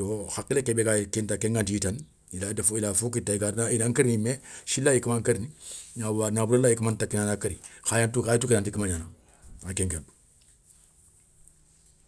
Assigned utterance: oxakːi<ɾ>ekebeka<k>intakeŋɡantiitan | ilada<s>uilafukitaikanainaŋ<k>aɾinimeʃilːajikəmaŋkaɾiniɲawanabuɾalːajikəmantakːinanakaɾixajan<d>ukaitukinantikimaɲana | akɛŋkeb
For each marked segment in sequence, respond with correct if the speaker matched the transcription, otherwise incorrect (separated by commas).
incorrect, correct, incorrect, correct, incorrect